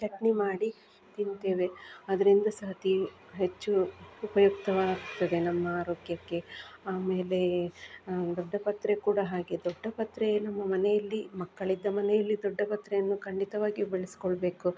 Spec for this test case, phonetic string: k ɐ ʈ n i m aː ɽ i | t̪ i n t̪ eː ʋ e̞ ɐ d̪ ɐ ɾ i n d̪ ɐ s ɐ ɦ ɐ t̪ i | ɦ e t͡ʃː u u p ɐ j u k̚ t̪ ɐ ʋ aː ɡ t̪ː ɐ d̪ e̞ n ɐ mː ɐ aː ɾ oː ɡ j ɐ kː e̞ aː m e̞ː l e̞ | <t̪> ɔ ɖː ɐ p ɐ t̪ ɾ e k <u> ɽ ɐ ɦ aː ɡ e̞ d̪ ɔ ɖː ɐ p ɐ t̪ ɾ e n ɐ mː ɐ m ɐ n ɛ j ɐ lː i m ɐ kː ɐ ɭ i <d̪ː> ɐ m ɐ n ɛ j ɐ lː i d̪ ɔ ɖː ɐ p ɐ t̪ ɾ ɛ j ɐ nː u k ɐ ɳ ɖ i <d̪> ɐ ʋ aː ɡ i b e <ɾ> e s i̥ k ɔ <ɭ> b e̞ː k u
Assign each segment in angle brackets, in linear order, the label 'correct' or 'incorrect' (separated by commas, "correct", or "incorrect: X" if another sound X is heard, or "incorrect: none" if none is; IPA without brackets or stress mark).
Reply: incorrect: d̪, incorrect: uː, correct, incorrect: t̪, incorrect: ɭ, correct